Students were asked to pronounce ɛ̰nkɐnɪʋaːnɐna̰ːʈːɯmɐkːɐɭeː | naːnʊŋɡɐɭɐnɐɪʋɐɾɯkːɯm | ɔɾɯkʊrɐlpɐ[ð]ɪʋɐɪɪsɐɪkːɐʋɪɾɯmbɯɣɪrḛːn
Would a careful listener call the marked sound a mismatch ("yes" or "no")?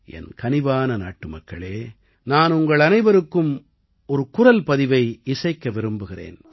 no